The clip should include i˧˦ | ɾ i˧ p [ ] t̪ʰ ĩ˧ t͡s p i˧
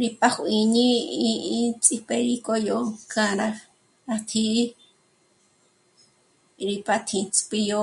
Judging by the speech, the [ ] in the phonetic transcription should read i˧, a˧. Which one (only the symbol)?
a˧